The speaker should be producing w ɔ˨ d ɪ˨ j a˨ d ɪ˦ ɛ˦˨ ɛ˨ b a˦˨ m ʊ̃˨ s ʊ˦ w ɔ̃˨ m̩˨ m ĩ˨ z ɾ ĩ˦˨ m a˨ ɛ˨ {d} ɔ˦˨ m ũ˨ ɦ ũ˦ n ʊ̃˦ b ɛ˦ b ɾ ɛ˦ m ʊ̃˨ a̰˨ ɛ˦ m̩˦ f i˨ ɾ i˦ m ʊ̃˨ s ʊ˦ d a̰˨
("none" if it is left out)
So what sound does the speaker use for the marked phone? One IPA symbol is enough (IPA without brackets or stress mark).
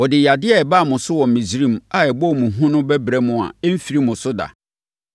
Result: b